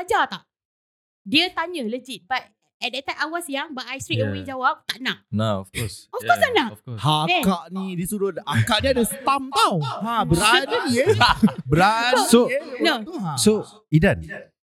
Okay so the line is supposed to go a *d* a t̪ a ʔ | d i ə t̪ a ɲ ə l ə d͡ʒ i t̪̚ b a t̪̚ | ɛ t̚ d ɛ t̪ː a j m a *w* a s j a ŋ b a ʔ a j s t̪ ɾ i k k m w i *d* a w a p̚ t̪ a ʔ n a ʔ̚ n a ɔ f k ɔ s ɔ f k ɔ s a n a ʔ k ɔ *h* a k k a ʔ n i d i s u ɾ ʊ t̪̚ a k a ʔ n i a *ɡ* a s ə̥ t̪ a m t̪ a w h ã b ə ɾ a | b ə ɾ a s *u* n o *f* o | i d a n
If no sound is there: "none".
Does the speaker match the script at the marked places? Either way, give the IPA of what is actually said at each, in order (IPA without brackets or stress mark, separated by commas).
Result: d͡ʒ, w, d͡ʒ, h, d, o, s